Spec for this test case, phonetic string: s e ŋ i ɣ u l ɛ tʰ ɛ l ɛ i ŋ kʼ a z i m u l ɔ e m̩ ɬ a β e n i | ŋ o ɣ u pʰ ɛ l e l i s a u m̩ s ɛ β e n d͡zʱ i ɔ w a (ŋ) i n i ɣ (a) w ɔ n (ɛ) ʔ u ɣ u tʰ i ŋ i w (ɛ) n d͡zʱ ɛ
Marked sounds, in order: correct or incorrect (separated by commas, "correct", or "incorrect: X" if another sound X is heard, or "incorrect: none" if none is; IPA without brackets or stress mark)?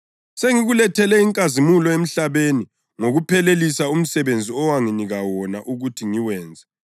correct, correct, incorrect: a, incorrect: ɛː